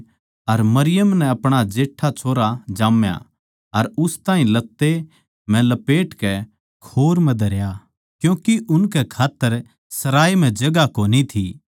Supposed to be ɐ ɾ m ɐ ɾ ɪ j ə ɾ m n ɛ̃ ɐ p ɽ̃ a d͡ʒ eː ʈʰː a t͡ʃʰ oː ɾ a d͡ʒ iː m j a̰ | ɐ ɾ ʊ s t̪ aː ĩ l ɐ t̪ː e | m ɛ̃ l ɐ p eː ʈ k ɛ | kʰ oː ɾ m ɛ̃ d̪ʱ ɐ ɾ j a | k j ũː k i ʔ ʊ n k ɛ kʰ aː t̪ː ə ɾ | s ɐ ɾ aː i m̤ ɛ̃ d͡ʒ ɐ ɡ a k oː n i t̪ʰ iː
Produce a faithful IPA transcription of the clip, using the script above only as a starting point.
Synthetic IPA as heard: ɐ ɾ m ɐ ɾ ɪ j ə m n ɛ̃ ɐ p ɽ̃ a d͡ʒ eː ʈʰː a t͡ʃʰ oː ɾ a d͡ʒ aː m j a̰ | ɐ ɾ ʊ s t̪ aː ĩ l ɐ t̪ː e | m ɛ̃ l ɐ p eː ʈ k ɛ | kʰ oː ɾ m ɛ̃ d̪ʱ ɐ ɾ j a | k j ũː k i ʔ ʊ n k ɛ kʰ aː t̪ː ə ɾ | s ɐ ɾ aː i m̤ ɛ̃ d͡ʒ ɐ ɡ a k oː n i t̪ʰ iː